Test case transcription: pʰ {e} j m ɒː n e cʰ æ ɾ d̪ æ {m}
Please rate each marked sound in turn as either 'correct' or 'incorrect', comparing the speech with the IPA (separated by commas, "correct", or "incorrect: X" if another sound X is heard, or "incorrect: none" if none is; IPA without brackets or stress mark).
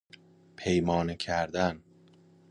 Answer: correct, incorrect: n